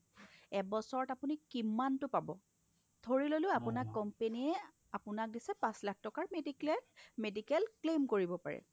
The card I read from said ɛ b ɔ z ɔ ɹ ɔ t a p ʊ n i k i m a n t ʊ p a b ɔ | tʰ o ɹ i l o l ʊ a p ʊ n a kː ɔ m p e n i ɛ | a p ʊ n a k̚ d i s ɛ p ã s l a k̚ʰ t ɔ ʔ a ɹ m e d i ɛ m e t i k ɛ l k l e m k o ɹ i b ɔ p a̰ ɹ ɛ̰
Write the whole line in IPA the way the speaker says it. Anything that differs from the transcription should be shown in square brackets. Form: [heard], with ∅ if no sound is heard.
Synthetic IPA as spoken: ɛ b ɔ [s] ɔ ɹ ɔ t a p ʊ n i k i m a n t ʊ p a b ɔ | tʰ o ɹ i l o l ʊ a p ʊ n a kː ɔ m p e n i ɛ | a p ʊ n a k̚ d i s ɛ p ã s l a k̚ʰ t ɔ [k] a ɹ m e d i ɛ m e [d] i k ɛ l k l e m k o ɹ i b ɔ p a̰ ɹ ɛ̰